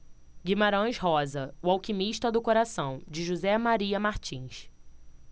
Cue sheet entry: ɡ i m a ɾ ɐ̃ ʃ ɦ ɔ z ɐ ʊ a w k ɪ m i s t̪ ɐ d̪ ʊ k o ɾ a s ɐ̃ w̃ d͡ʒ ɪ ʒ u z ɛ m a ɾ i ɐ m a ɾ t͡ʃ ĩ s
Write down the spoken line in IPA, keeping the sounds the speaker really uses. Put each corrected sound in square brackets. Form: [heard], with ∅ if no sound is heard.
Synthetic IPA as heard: ɡ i m a ɾ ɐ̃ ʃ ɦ ɔ z ɐ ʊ a w k [i] m i [ʃ] t̪ ɐ d̪ ʊ k o ɾ a s ɐ̃ w̃ d͡ʒ ɪ ʒ u z ɛ m a ɾ i ɐ m a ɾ t͡ʃ ĩ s